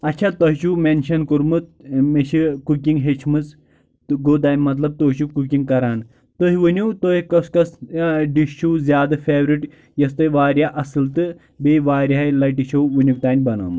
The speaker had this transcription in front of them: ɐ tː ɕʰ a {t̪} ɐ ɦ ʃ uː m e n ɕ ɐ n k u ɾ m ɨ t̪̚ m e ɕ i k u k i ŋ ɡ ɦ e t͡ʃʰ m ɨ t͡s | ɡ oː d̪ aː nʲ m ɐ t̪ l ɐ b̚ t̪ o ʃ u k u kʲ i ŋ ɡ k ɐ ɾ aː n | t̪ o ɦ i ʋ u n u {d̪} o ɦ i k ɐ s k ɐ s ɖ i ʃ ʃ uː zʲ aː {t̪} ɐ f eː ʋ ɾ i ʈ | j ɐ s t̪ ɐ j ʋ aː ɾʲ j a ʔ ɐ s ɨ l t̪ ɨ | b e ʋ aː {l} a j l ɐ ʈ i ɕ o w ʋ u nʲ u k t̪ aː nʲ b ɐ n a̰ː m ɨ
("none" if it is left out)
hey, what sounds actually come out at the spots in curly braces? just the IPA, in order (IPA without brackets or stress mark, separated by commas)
t̪, t̪, d̪, ɾ